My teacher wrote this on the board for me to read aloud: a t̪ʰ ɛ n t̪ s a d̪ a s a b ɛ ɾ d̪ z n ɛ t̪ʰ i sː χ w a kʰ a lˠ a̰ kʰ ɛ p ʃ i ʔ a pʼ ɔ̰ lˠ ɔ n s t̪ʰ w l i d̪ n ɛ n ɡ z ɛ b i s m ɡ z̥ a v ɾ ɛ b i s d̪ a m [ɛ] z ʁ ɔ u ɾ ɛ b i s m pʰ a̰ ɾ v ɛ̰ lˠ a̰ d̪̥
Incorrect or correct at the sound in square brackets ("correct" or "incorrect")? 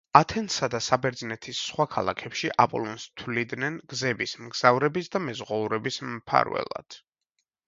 correct